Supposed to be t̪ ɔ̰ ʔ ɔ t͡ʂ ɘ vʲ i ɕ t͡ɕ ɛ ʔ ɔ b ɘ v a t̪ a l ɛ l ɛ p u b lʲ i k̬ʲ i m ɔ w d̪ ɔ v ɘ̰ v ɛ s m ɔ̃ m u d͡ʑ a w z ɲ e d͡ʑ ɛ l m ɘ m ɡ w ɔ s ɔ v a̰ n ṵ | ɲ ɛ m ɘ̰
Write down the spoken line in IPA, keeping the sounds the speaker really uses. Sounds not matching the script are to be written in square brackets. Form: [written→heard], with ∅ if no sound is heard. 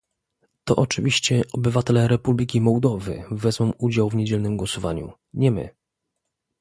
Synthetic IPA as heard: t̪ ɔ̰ ʔ ɔ t͡ʂ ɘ vʲ i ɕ t͡ɕ ɛ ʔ ɔ b ɘ v a t̪ [a→ɛ] l ɛ [l→ɾ] ɛ p u b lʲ i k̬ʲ i m ɔ w d̪ ɔ v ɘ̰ v ɛ [s→z] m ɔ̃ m u d͡ʑ a w [z→v] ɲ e d͡ʑ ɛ l [m→n] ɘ m ɡ w ɔ s ɔ v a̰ [n→ɲ] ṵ | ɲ ɛ m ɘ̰

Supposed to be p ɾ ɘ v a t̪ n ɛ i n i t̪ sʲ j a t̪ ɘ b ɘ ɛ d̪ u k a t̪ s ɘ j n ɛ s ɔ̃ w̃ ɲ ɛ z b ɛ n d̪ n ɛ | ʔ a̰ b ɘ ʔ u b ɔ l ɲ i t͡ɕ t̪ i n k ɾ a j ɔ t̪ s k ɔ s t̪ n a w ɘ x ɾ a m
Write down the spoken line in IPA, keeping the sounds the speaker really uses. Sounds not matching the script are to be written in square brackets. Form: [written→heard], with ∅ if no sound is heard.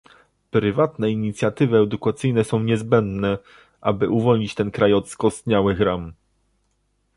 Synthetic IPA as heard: p ɾ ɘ v a t̪ n ɛ i [n→ɲ] i t̪ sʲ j a t̪ ɘ [b→v] ɘ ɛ d̪ u k a t̪ s ɘ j n ɛ s ɔ̃ w̃ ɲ ɛ z b ɛ n d̪ n ɛ | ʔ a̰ b ɘ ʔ u [b→v] ɔ l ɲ i t͡ɕ t̪ [i→ɛ] n k ɾ a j ɔ t̪ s k ɔ s t̪ [n→ɲ] a w ɘ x ɾ a m

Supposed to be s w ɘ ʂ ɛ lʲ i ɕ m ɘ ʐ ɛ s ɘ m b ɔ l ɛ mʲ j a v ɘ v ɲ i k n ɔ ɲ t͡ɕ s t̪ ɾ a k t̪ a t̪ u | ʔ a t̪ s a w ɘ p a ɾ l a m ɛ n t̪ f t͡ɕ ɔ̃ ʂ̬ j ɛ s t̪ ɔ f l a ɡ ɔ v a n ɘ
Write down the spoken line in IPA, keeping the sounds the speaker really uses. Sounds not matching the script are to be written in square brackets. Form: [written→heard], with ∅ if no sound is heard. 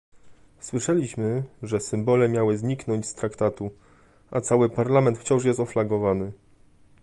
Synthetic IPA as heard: s w ɘ ʂ ɛ lʲ i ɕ m ɘ ʐ ɛ s ɘ m b ɔ l ɛ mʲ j a [v→w] ɘ [v→z] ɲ i k n ɔ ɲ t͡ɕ s t̪ ɾ a k t̪ a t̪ u | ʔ a t̪ s a w ɘ p a ɾ l a m ɛ n t̪ f t͡ɕ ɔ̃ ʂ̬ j ɛ s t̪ ɔ f l a ɡ ɔ v a n ɘ

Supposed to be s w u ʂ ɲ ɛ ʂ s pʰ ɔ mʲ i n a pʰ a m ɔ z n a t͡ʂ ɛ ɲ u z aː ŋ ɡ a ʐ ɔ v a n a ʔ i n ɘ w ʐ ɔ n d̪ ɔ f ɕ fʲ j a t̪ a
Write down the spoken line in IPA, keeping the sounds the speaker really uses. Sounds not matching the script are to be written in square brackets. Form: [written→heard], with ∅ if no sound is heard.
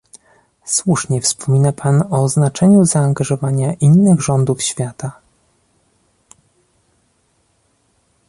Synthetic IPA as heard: s w u ʂ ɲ ɛ [ʂ→f] s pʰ ɔ mʲ i n a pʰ a [m→n] ɔ z n a t͡ʂ ɛ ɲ u z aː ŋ ɡ a ʐ ɔ v a [n→ɲ] a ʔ i [n→nː] ɘ [w→ɣ] ʐ ɔ n d̪ [ɔ→u] f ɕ fʲ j a t̪ a

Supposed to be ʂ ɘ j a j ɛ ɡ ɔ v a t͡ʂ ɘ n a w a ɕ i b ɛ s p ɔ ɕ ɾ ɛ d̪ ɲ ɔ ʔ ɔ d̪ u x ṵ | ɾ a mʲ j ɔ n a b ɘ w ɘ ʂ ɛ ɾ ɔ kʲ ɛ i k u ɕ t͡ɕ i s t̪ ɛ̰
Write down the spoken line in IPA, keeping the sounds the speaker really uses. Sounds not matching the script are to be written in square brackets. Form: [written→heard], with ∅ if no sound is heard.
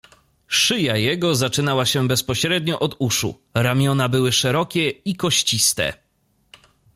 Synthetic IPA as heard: ʂ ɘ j a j ɛ ɡ ɔ [v→z] a t͡ʂ ɘ n a w a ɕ [i→ɛ] b ɛ s p ɔ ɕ ɾ ɛ d̪ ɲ ɔ ʔ ɔ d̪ u [x→ʂ] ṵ | ɾ a mʲ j ɔ n a b ɘ w ɘ ʂ ɛ ɾ ɔ kʲ ɛ i k [u→ɔ] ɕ t͡ɕ i s t̪ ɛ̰

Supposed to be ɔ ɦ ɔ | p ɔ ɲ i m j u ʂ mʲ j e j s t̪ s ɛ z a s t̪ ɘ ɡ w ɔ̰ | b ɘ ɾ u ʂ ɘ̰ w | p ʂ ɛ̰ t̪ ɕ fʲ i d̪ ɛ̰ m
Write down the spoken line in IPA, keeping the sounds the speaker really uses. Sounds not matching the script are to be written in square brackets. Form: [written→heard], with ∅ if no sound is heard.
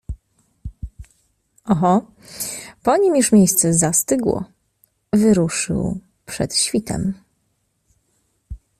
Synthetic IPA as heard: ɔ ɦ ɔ | p ɔ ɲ i m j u ʂ mʲ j e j s t̪ s ɛ z a s t̪ ɘ ɡ w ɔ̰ | [b→v] ɘ ɾ u ʂ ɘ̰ w | p ʂ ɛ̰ t̪ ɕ fʲ i [d̪→t̪] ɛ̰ m

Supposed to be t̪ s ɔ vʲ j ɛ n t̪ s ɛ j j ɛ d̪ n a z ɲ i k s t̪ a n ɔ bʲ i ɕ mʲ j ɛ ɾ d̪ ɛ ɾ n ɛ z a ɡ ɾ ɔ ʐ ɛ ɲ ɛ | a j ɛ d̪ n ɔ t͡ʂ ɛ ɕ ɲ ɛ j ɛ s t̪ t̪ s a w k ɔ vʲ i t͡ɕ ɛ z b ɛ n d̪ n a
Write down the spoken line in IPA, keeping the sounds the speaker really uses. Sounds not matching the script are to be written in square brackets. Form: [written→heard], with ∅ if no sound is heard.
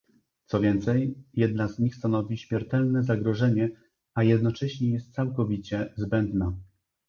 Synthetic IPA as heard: t̪ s ɔ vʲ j ɛ n t̪ s ɛ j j ɛ d̪ n a z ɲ i [k→x] s t̪ a n ɔ [bʲ→vʲ] i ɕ mʲ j ɛ ɾ [d̪→t̪] ɛ [ɾ→l] n ɛ z a ɡ ɾ ɔ ʐ ɛ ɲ ɛ | a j ɛ d̪ n ɔ t͡ʂ ɛ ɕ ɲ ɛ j ɛ s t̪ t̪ s a w k ɔ vʲ i t͡ɕ ɛ z b ɛ n d̪ n a

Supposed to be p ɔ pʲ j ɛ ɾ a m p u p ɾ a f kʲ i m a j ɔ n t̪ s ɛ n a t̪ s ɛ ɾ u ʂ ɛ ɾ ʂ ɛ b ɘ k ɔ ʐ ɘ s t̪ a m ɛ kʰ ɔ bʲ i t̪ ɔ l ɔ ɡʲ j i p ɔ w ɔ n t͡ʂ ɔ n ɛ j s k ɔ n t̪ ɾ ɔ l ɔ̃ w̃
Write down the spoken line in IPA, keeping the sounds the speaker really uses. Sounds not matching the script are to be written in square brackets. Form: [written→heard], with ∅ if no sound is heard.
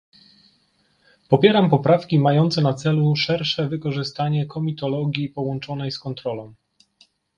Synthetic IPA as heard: p ɔ pʲ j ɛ ɾ a m p [u→ɔ] p ɾ a f kʲ i m a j ɔ n t̪ s ɛ n a t̪ s ɛ [ɾ→l] u ʂ ɛ ɾ ʂ ɛ [b→v] ɘ k ɔ ʐ ɘ s t̪ a [m→ɲ] ɛ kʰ ɔ [bʲ→mʲ] i t̪ ɔ l ɔ ɡʲ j i p ɔ w ɔ n t͡ʂ ɔ n ɛ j s k ɔ n t̪ ɾ ɔ l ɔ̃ w̃

